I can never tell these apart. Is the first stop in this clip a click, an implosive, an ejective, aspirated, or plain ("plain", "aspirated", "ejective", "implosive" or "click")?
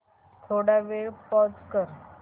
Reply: aspirated